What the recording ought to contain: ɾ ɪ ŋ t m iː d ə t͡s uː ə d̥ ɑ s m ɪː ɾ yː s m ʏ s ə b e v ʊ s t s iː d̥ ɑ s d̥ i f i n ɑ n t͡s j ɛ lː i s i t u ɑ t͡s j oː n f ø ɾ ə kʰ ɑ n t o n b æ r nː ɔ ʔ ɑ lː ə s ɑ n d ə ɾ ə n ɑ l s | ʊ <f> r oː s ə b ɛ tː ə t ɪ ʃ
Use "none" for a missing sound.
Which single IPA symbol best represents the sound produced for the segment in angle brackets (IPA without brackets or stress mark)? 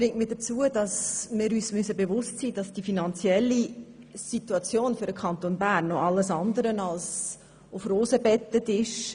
f